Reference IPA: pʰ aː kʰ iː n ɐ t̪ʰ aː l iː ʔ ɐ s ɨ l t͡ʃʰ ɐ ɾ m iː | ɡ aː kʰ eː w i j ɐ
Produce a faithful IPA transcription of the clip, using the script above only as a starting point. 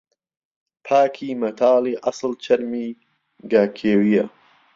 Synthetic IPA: pʰ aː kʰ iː m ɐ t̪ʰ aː l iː ʔ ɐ s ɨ l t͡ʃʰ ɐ ɾ m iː | ɡ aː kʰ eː w i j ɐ